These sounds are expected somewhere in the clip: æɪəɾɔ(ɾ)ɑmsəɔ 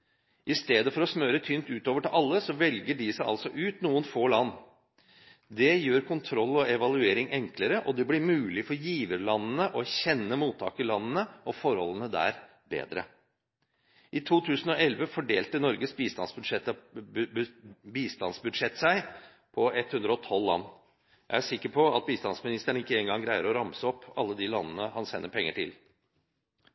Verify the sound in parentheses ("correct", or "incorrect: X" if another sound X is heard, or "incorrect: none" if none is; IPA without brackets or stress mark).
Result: correct